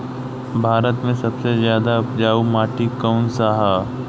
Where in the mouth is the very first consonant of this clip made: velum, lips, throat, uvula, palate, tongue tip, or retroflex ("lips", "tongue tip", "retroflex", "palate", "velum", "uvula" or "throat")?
lips